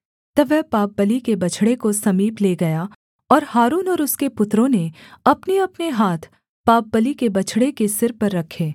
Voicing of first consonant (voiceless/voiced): voiceless